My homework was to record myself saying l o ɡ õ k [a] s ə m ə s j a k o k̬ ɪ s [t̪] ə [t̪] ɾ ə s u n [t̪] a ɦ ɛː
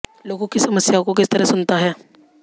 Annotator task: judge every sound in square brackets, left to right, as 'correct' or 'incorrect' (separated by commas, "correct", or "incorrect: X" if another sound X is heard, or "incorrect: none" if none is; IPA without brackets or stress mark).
incorrect: i, correct, incorrect: none, correct